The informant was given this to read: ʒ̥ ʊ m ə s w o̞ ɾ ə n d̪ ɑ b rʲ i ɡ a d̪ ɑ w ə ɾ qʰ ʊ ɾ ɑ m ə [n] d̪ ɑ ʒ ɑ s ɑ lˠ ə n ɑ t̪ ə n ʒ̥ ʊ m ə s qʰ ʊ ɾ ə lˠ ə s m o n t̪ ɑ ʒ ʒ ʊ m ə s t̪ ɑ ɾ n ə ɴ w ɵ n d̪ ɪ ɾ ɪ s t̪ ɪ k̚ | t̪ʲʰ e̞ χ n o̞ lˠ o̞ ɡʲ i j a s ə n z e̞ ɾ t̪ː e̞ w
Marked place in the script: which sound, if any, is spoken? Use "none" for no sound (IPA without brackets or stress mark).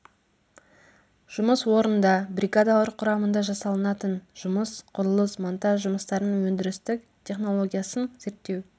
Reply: n